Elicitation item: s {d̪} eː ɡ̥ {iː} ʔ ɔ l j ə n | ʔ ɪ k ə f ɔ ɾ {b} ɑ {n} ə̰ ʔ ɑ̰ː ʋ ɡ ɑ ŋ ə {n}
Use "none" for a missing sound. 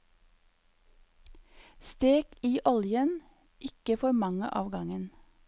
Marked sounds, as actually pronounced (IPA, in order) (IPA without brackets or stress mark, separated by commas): t̪, iː, m, ŋ, n